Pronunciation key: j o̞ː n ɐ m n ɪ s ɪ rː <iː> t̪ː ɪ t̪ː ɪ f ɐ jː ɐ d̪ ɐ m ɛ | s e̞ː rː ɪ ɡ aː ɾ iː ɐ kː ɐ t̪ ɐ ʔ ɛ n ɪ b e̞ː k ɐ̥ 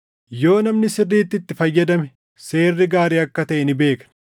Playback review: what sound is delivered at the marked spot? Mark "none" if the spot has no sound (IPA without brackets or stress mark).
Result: iː